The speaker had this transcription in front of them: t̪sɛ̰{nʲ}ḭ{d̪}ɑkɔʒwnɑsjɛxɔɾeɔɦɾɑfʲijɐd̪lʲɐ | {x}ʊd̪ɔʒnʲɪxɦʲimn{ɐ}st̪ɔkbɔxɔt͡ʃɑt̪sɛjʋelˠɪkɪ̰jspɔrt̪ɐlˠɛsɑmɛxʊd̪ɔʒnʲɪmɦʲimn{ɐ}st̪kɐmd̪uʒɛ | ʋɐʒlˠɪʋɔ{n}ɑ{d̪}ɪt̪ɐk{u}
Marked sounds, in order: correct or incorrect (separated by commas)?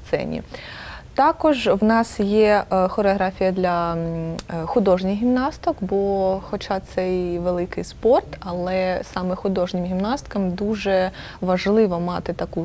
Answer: correct, incorrect, correct, incorrect, incorrect, incorrect, incorrect, correct